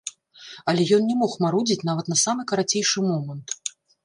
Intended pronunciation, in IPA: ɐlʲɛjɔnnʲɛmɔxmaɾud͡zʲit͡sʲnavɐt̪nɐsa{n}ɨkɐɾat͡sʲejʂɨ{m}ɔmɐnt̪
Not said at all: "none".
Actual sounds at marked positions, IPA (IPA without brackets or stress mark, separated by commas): m, m